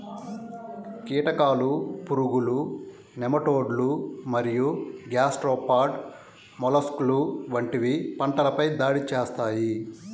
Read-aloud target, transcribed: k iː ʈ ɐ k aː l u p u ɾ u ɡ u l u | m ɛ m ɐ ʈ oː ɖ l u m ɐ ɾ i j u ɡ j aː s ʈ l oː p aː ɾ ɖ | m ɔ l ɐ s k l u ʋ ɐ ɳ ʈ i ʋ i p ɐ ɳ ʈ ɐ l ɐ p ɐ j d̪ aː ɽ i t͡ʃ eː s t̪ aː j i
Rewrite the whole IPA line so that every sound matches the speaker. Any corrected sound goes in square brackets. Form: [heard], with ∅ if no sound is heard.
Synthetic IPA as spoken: k iː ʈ ɐ k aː l u p u ɾ u ɡ u l u | [n] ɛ m ɐ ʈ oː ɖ l u m ɐ ɾ i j u ɡ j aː s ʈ [ɾ] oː p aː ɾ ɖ | m ɔ l ɐ s k l u ʋ ɐ ɳ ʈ i ʋ i p ɐ ɳ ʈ ɐ l ɐ p ɐ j d̪ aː ɽ i t͡ʃ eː s t̪ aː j i

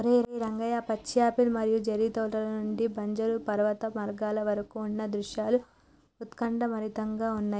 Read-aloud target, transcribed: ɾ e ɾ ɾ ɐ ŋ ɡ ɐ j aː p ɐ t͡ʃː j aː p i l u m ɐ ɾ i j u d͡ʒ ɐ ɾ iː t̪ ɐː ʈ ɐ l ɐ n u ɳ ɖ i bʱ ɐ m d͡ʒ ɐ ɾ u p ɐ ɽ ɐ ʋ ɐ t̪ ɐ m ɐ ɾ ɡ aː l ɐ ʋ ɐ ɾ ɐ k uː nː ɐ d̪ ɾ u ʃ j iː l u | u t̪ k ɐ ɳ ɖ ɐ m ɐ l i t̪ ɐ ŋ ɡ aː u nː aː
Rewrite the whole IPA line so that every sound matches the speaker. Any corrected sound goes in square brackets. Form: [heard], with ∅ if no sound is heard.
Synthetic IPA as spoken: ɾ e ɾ ɾ ɐ ŋ ɡ ɐ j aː p ɐ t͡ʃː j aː p i l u m ɐ ɾ i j u d͡ʒ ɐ ɾ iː t̪ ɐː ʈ ɐ l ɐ n u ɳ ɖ i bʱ ɐ [ɲ] d͡ʒ ɐ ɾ u p ɐ [ɾ] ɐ ʋ ɐ t̪ ɐ m ɐ ɾ ɡ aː l ɐ ʋ ɐ ɾ ɐ k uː nː ɐ d̪ ɾ u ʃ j [aː] l u | u t̪ k ɐ ɳ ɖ ɐ m ɐ [ɾ] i t̪ ɐ ŋ ɡ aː u nː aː

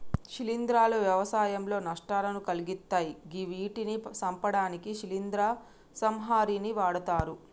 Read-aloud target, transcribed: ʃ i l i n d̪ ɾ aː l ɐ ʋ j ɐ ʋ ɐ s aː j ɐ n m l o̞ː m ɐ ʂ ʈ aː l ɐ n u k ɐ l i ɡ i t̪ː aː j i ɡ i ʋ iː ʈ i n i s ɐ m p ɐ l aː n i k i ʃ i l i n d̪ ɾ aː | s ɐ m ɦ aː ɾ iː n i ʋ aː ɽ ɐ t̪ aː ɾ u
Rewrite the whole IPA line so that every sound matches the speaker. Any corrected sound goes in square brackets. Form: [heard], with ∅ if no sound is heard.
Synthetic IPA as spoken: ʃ i l i n d̪ ɾ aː l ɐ ʋ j ɐ ʋ ɐ s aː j ɐ [∅] m l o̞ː [n] ɐ ʂ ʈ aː l ɐ n u k ɐ l i ɡ i t̪ː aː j i ɡ i ʋ iː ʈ i n i s ɐ m p ɐ [ɽ] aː n i k i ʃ i l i n d̪ ɾ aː | s ɐ m ɦ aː ɾ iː n i ʋ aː ɽ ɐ t̪ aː ɾ u

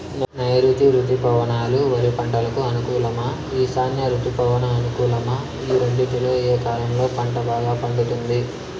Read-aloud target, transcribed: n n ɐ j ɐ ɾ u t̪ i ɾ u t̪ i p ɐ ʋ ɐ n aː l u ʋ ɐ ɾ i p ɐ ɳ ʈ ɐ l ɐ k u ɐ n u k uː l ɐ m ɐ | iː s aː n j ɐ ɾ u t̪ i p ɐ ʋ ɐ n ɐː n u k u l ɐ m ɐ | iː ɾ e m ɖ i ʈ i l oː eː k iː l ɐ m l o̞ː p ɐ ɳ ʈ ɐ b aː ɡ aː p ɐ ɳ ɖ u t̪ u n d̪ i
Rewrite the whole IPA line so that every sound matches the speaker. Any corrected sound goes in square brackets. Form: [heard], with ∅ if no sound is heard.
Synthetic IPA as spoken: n n ɐ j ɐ ɾ u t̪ i ɾ u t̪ i p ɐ ʋ ɐ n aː l u ʋ ɐ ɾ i p ɐ ɳ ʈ ɐ l ɐ k u ɐ n u k uː l ɐ m ɐ | iː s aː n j ɐ ɾ u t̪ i p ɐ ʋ ɐ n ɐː n u k [uː] l ɐ m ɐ | iː ɾ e [ɳ] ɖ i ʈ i l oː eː k [aː] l ɐ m l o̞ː p ɐ ɳ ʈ ɐ b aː ɡ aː p ɐ ɳ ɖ u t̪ u n d̪ i

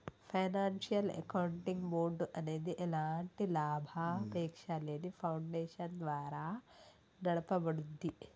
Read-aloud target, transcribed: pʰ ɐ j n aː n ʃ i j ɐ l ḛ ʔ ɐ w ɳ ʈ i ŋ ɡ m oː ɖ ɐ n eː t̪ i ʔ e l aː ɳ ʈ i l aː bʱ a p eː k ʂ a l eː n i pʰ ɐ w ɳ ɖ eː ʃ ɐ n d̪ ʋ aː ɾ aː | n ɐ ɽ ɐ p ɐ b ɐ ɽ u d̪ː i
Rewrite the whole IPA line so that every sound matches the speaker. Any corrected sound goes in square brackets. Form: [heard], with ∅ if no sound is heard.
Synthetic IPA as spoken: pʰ ɐ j n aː n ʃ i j ɐ l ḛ [k] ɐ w ɳ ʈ i ŋ ɡ m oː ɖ ɐ n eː [d̪] i ʔ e l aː ɳ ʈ i l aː bʱ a p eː k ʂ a l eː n i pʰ ɐ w ɳ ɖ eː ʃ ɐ n d̪ ʋ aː ɾ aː | n ɐ ɽ ɐ p ɐ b ɐ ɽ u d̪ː i

